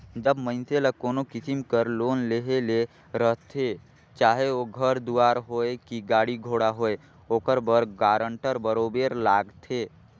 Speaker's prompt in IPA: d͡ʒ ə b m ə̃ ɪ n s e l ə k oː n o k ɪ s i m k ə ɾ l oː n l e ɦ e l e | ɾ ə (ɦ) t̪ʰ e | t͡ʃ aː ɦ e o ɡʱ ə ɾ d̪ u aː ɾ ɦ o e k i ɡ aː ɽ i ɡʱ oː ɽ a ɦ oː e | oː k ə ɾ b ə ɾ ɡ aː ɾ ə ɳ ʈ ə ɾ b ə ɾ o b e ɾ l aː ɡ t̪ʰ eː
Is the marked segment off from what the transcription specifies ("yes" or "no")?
no